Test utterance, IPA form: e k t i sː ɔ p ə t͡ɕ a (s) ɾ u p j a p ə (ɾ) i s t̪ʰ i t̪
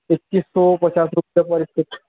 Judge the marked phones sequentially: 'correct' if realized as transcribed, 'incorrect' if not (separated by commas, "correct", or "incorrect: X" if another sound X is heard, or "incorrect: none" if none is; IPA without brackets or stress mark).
correct, correct